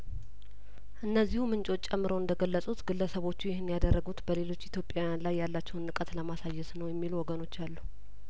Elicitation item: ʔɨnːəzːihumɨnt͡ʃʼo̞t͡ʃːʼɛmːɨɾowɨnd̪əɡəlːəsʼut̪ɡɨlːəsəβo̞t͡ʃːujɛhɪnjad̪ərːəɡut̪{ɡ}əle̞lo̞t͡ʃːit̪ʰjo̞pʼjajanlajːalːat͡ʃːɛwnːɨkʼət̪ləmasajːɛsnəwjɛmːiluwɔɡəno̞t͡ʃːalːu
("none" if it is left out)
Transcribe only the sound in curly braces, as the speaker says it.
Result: b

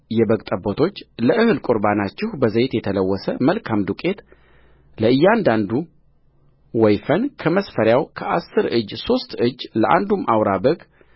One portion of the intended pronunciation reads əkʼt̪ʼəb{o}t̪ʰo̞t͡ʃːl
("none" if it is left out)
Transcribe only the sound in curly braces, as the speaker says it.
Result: o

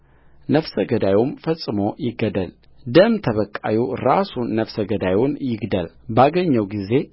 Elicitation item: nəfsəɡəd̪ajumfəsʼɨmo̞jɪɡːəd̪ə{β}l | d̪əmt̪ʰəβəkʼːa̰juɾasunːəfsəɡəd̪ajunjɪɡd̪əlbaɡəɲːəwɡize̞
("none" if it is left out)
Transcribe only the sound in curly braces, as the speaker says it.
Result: none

